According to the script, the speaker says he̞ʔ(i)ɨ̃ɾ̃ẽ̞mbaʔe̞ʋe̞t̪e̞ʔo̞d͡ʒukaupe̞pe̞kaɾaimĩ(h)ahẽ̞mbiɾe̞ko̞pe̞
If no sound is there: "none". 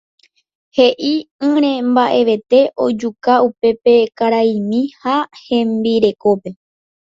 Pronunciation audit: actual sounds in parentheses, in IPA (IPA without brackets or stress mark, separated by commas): i, h